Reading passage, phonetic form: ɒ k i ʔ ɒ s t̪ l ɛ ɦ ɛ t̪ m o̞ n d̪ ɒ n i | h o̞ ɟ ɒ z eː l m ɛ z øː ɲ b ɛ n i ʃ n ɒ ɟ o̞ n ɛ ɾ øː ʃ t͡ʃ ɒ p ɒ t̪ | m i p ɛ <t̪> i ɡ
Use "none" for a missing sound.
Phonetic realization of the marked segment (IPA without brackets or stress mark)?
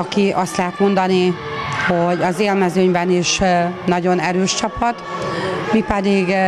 d̪